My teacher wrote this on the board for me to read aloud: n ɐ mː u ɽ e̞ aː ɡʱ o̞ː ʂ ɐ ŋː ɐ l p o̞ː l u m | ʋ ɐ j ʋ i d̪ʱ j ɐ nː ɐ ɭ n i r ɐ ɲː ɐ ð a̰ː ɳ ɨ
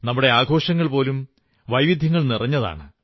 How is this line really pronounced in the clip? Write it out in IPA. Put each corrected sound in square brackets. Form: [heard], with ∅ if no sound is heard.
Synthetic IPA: n ɐ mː u ɽ e̞ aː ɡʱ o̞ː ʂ ɐ ŋː ɐ [ɭ] p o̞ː l u m | ʋ ɐ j ʋ i d̪ʱ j ɐ [ŋː] ɐ ɭ n i r ɐ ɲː ɐ ð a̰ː ɳ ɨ